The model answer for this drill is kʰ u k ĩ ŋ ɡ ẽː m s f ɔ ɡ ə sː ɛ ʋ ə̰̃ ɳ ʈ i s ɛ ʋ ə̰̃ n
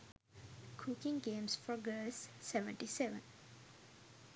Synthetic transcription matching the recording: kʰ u k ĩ ŋ ɡ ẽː m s f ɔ ɡ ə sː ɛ ʋ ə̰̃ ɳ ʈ i s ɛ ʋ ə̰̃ n

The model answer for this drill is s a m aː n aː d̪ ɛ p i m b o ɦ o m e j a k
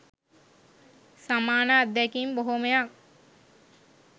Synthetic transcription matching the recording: s a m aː n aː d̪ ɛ k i m b o ɦ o m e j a k

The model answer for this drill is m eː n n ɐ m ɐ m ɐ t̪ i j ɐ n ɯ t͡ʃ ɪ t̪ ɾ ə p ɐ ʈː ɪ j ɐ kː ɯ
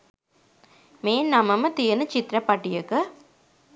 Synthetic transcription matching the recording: m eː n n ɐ m ɐ m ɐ t̪ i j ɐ n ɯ t͡ʃ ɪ t̪ ɾ ɐ p ɐ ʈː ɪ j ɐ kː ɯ

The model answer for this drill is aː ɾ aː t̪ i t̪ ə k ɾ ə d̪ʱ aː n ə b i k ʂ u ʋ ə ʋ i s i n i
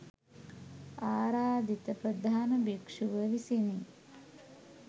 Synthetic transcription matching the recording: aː ɾ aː d̪ i t̪ ə p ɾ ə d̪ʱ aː n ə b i k ʂ u ʋ ə ʋ i s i n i

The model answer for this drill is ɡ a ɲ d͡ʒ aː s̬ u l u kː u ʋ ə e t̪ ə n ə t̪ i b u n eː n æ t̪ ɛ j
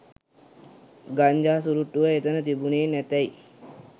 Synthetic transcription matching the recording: ɡ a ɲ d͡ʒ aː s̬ u ɾ u ʈː u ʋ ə e t̪ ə n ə t̪ i b u n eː n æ t̪ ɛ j

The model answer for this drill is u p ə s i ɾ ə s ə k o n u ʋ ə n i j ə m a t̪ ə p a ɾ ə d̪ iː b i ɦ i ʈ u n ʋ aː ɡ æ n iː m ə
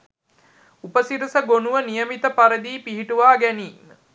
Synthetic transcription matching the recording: u p ə s i ɾ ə s ə ɡ o n u ʋ ə n i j ə m i t̪ ə p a ɾ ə d̪ iː p i ɦ i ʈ u ʋ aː ɡ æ n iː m ə

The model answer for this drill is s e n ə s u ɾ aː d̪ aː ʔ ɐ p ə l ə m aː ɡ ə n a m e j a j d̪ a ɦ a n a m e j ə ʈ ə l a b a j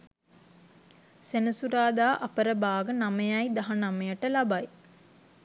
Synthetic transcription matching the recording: s e n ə s u ɾ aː d̪ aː ʔ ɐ p ə ɾ ə b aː ɡ ə n a m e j a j d̪ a ɦ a n a m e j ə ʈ ə l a b a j

